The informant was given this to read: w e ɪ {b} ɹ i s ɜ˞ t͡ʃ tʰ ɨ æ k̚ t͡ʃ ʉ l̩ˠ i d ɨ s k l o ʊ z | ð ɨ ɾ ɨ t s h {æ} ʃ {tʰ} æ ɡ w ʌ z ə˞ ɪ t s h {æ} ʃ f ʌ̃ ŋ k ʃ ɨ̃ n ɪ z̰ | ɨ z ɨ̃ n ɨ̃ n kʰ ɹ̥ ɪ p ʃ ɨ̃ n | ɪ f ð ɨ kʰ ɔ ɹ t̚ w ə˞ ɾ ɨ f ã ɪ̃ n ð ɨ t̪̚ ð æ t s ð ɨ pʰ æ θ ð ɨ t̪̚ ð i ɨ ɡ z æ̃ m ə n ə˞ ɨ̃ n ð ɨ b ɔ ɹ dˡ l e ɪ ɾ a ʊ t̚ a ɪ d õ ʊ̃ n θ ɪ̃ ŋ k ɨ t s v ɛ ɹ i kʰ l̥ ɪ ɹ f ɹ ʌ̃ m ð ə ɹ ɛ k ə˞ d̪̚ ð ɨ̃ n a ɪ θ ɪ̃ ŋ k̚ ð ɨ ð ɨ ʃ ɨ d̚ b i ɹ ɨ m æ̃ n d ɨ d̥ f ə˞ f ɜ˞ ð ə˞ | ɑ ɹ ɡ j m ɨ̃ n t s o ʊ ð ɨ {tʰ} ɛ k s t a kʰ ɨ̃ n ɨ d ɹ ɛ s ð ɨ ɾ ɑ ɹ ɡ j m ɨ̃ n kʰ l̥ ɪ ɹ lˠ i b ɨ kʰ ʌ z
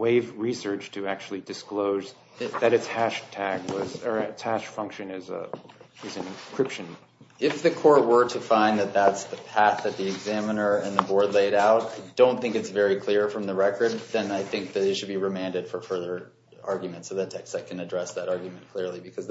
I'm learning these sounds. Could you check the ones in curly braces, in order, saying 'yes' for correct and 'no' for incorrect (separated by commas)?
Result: no, yes, yes, yes, yes